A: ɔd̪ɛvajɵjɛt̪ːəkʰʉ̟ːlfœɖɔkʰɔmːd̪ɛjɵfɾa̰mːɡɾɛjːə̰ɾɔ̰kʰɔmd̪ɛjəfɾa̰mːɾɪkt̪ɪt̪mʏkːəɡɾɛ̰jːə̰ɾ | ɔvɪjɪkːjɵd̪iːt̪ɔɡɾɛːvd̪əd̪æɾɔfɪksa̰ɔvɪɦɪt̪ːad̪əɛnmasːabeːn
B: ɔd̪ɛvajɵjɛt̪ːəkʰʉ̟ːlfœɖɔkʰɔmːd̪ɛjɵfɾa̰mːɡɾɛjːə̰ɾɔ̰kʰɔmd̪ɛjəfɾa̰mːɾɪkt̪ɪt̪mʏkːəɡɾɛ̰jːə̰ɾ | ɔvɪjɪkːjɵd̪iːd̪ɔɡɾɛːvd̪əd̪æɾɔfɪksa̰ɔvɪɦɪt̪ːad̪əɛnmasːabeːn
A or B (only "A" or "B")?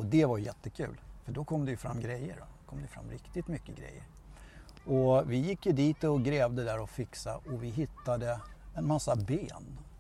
A